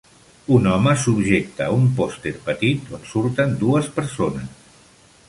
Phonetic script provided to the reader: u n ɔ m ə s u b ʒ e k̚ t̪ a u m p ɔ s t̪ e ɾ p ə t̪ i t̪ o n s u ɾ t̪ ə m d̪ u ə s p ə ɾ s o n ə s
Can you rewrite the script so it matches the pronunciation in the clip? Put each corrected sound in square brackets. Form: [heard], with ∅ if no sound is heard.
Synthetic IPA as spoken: u n ɔ m ə s u b ʒ e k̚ t̪ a u m p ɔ s t̪ e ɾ p ə t̪ i t̪ o n s u ɾ t̪ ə [n] d̪ u ə s p ə ɾ s o n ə s